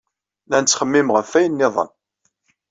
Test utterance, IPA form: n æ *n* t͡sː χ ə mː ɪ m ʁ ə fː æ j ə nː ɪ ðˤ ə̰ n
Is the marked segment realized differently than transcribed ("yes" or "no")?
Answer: no